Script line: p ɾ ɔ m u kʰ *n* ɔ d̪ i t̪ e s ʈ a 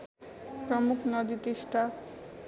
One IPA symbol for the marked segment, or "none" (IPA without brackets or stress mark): n